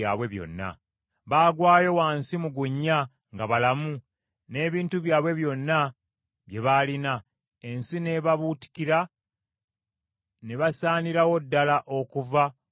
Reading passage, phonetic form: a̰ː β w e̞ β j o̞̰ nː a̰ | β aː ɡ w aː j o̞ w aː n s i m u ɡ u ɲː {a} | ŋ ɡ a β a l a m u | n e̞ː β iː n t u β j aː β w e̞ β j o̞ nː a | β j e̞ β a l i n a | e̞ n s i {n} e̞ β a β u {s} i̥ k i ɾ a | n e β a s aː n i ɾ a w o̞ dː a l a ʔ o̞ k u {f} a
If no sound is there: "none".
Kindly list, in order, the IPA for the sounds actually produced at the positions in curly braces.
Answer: a, n, t, v

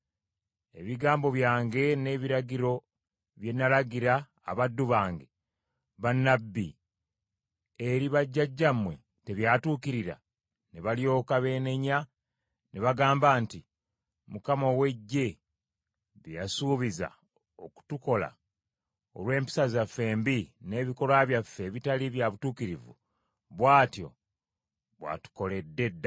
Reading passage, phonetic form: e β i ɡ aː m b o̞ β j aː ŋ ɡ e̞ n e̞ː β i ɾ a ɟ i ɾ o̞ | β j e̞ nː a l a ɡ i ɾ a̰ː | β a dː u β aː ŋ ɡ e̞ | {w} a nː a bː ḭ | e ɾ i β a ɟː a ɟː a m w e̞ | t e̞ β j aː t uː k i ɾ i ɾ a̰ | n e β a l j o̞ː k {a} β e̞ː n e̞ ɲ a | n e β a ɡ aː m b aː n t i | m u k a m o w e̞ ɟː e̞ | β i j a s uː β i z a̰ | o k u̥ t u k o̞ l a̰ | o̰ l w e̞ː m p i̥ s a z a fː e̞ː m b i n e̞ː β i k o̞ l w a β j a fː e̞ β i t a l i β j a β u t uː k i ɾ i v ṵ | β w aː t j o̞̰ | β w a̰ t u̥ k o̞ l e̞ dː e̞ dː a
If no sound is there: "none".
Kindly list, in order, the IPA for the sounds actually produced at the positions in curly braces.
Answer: β, a

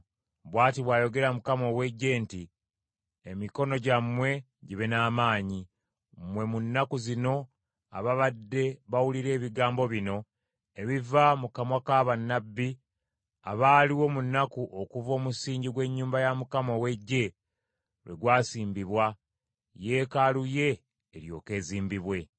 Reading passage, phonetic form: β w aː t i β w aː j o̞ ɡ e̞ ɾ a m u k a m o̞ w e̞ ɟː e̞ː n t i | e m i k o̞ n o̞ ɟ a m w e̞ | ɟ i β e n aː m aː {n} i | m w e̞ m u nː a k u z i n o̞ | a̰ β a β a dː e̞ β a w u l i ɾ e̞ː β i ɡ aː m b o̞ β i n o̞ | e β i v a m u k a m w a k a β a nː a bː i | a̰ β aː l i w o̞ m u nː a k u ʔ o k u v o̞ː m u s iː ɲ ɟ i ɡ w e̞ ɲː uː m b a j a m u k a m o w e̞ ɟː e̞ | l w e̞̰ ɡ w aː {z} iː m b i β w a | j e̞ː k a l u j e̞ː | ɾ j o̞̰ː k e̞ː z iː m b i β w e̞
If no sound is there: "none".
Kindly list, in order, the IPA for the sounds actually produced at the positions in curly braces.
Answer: ɲ, s

